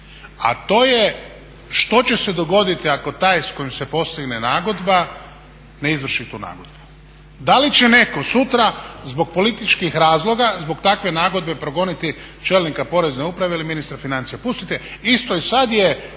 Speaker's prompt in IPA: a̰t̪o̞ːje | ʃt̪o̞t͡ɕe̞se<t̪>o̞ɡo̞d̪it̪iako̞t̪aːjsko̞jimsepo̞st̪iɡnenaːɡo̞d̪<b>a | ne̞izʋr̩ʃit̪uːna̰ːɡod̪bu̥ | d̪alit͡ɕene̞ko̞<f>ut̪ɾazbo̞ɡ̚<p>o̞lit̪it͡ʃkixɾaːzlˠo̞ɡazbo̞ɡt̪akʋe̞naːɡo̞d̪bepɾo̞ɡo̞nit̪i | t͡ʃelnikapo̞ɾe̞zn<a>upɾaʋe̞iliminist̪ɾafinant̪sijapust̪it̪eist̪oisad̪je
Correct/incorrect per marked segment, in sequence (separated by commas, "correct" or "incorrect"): incorrect, correct, incorrect, correct, incorrect